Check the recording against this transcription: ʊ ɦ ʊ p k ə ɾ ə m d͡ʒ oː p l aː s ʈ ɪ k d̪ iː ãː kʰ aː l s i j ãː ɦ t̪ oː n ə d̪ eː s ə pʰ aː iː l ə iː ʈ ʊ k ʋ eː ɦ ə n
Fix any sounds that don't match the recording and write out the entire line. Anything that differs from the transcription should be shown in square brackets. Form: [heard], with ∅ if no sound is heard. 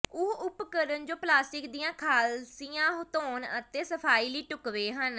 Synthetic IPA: ʊ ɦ ʊ p k ə ɾ ə [n] d͡ʒ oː p l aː s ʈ ɪ k d̪ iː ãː kʰ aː l s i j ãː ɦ t̪ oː n ə [t̪] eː s ə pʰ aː iː l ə iː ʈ ʊ k ʋ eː ɦ ə n